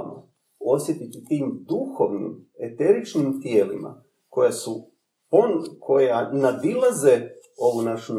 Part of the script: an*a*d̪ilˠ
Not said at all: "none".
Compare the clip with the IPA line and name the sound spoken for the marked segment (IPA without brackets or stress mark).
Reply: a